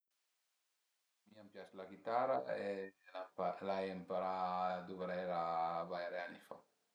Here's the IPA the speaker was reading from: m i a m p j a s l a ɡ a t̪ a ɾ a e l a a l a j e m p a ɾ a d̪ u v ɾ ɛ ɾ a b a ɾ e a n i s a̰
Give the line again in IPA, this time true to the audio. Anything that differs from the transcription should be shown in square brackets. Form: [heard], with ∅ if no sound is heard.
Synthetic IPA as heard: m i a m p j a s l a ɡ [i] t̪ a ɾ a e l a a l a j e m p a ɾ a d̪ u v ɾ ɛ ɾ a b a ɾ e a n i [f] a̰

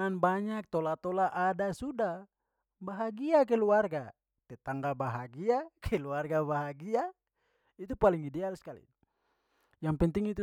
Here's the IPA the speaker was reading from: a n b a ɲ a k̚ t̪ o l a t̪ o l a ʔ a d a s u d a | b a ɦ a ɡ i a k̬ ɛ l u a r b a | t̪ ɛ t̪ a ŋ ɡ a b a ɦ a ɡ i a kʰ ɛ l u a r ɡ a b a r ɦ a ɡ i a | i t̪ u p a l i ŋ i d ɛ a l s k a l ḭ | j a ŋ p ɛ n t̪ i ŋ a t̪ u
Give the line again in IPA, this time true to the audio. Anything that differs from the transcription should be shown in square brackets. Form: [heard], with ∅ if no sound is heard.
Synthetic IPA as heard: a n b a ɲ a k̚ t̪ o l a t̪ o l a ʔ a d a s u d a | b a ɦ a ɡ i a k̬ ɛ l u a r [ɡ] a | t̪ ɛ t̪ a ŋ ɡ a b a ɦ a ɡ i a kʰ ɛ l u a r ɡ a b a [∅] ɦ a ɡ i a | i t̪ u p a l i ŋ i d ɛ a l s k a l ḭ | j a ŋ p ɛ n t̪ i ŋ [i] t̪ u

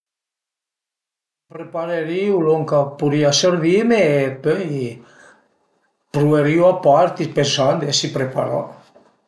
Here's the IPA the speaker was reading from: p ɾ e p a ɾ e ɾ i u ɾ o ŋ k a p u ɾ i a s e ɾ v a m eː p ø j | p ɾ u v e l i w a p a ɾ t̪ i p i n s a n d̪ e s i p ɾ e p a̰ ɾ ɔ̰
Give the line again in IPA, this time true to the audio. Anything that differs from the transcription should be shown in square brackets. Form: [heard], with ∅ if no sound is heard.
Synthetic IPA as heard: p ɾ e p a ɾ e ɾ i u [l] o ŋ k a p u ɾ i a s e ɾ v [i] m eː p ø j | p ɾ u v e [ɾ] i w a p a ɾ t̪ i p [e] n s a n d̪ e s i p ɾ e p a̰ ɾ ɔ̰

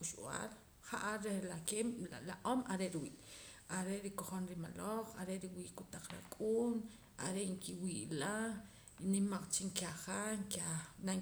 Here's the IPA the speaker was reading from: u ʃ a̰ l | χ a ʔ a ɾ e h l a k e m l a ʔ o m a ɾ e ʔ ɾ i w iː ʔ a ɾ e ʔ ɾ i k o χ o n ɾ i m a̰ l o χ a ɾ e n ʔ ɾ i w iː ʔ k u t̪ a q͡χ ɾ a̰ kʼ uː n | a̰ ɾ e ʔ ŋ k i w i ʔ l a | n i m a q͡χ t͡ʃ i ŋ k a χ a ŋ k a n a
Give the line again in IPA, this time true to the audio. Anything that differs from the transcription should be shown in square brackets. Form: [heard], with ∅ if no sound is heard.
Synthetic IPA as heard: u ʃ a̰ l | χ a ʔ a ɾ e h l a k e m l a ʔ o m a ɾ e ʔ ɾ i w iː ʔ a ɾ e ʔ ɾ i k o χ o n ɾ i m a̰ l o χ a ɾ e [∅] ʔ ɾ i w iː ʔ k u t̪ a q͡χ ɾ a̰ kʼ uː n | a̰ ɾ e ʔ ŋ k i w i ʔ l a | n i m a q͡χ t͡ʃ i ŋ k a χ a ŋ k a n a

